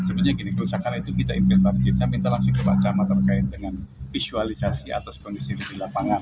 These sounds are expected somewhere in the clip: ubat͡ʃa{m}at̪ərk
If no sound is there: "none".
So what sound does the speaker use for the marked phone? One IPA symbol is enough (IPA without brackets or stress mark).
m